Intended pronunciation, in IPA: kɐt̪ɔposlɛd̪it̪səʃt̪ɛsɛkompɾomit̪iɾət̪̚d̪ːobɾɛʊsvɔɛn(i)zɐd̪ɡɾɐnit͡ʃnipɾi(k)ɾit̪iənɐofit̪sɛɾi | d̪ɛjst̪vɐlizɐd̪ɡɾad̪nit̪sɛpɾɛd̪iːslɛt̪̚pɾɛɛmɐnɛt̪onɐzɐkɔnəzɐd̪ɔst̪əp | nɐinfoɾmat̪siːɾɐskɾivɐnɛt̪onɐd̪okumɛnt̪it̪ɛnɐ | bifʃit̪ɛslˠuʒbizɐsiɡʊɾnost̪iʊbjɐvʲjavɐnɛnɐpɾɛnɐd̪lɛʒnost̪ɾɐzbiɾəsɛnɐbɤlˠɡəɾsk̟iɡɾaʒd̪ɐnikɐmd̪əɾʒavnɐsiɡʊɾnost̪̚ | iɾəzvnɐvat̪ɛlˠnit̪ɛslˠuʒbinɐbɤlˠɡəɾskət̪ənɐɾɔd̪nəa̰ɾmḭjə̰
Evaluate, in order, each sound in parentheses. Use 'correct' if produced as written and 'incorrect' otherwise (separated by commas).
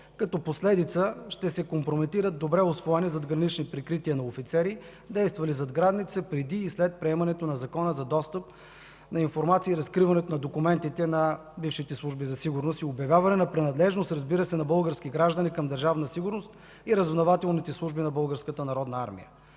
correct, correct